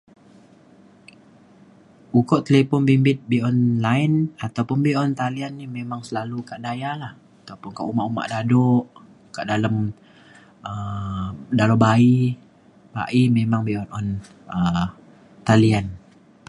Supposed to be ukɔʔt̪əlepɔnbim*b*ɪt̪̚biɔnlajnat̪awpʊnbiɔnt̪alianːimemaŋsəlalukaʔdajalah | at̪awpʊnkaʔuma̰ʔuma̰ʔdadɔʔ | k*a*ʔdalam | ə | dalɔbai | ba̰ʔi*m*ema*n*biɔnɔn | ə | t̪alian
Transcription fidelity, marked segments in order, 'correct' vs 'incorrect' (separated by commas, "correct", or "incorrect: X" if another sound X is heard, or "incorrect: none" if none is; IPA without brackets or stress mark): correct, correct, correct, incorrect: ŋ